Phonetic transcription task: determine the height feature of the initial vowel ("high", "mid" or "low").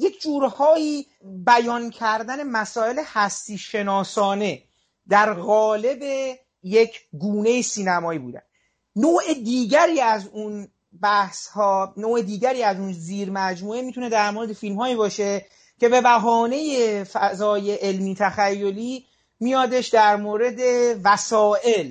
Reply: mid